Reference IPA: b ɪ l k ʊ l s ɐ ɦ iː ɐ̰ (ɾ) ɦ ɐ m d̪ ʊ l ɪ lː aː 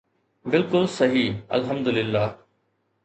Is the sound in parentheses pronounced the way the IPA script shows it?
no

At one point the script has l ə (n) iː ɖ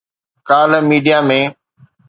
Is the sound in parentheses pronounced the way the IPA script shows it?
no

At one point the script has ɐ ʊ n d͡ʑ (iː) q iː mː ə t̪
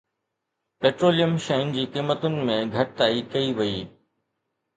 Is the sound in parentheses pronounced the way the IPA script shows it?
yes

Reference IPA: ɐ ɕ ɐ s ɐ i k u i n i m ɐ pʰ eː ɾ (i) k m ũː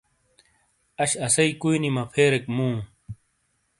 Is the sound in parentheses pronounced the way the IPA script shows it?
no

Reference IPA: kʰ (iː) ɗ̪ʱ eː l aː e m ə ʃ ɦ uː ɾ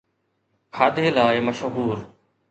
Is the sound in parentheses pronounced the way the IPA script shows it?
no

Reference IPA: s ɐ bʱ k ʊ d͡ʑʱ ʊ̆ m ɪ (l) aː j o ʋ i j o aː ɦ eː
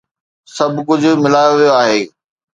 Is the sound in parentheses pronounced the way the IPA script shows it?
yes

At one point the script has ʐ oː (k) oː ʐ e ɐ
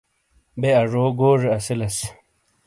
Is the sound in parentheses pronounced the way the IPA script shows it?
no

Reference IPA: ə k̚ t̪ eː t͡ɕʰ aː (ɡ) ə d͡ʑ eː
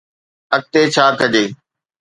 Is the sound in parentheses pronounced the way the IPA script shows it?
no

